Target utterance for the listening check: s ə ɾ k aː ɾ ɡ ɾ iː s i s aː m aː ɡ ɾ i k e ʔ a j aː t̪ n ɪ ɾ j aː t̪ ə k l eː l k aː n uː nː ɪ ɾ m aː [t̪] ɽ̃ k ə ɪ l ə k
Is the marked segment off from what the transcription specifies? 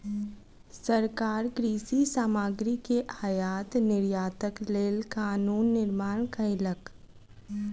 yes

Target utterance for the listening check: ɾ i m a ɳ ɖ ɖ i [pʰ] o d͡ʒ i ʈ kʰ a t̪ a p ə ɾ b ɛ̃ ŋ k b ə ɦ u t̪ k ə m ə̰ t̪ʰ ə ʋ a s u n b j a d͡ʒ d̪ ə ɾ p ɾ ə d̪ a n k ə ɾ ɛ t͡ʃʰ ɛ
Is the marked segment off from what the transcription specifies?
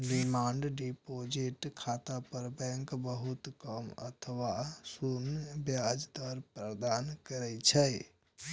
yes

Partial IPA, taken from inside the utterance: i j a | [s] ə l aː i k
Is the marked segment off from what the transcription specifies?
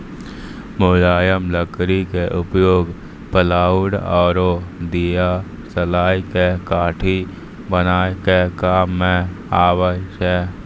no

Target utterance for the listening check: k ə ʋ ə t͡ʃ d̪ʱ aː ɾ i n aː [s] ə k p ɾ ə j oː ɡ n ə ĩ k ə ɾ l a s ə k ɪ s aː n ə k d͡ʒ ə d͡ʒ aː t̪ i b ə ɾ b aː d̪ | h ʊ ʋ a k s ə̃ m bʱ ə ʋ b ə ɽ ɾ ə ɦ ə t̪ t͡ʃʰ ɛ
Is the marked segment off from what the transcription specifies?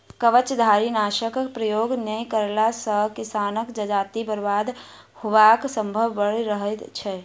yes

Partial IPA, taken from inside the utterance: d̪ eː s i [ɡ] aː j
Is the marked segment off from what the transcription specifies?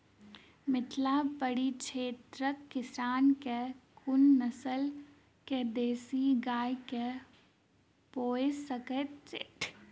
no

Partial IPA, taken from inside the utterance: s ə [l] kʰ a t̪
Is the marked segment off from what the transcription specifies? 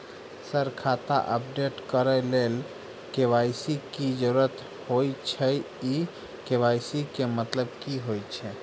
yes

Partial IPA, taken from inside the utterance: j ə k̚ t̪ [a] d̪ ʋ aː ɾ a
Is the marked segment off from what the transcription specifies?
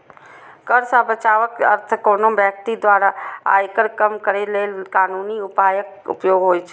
yes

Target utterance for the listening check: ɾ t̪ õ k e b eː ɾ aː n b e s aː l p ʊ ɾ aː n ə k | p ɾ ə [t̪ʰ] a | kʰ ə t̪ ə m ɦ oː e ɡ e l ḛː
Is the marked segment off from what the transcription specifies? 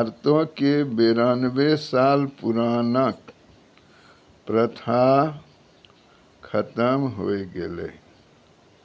no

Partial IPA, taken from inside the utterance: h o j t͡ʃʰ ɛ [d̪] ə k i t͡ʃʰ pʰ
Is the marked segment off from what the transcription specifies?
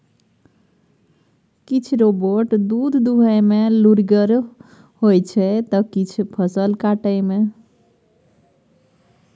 yes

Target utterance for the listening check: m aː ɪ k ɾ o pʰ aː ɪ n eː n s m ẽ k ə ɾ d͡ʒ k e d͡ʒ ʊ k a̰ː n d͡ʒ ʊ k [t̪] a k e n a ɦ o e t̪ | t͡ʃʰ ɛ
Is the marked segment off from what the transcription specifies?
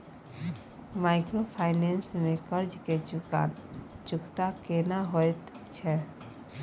no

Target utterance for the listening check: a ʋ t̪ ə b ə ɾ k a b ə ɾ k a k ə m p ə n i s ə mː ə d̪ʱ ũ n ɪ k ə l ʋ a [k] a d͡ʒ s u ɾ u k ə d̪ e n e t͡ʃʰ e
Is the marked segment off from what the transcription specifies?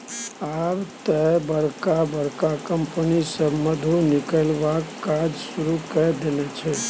no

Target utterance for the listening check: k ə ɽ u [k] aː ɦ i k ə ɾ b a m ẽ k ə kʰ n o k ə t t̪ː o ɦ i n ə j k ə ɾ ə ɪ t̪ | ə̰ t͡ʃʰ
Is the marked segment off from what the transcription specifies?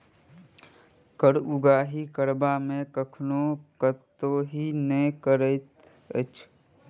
yes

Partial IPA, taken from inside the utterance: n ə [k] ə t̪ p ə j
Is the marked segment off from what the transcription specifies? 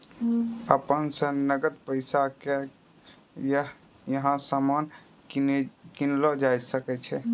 yes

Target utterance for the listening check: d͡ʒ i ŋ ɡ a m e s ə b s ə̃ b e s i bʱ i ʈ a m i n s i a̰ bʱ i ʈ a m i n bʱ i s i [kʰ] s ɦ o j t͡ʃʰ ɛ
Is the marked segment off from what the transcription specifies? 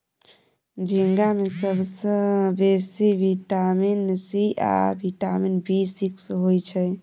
yes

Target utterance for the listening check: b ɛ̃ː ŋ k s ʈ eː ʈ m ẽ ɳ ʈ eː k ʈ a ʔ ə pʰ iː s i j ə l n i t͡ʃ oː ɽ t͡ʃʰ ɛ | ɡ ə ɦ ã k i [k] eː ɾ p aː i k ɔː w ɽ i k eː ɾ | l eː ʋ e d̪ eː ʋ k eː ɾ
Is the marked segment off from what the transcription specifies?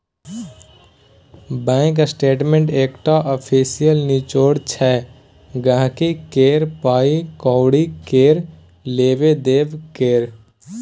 no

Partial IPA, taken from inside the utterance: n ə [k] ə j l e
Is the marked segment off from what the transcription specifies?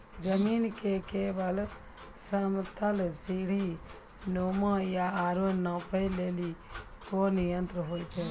yes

